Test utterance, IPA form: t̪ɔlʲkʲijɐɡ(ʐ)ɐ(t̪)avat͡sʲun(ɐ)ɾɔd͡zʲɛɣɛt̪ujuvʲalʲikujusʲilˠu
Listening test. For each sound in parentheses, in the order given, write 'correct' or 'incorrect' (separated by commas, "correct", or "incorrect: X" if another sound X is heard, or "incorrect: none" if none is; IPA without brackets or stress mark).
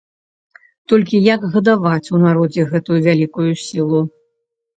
incorrect: ɣ, incorrect: d̪, incorrect: a